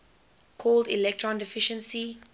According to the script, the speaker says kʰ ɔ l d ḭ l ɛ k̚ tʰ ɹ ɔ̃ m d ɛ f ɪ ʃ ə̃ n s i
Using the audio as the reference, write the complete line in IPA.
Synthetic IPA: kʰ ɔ l d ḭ l ɛ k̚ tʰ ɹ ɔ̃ n d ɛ f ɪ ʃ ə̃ n s i